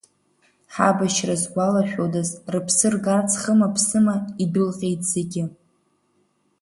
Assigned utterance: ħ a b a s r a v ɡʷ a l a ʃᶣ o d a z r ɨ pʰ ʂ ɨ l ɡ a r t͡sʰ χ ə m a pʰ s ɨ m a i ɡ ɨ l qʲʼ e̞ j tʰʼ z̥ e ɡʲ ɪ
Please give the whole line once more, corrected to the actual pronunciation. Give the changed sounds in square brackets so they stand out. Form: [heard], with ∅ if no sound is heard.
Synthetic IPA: ħ a b a [ʃ] r a [z] ɡʷ a l a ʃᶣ o d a z r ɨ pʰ [s] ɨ [r] ɡ a r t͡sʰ χ ə m a pʰ s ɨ m a i [d] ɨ l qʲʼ e̞ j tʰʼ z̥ e ɡʲ ɪ